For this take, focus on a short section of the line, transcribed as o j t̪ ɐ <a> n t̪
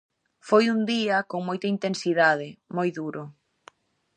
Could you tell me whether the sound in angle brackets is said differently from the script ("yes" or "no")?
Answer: yes